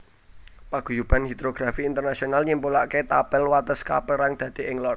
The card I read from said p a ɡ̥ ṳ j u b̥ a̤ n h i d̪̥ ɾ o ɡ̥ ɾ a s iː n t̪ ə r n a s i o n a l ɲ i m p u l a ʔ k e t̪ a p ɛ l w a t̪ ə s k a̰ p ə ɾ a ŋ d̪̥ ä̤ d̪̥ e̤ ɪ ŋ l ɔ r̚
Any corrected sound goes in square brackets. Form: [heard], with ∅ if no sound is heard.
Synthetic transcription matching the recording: p a ɡ̥ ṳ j u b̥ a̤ n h i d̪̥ ɾ o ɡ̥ ɾ a [f] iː n t̪ ə r n a s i o n a l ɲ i m p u l a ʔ k e t̪ a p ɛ l w a t̪ ə s k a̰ p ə ɾ a ŋ d̪̥ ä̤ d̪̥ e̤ ɪ ŋ l ɔ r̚